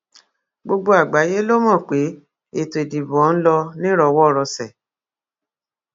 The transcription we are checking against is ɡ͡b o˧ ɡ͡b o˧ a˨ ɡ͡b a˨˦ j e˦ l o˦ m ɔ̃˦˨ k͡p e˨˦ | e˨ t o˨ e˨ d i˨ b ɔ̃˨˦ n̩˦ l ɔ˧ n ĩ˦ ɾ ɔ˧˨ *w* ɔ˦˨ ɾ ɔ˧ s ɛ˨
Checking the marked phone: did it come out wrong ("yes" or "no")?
no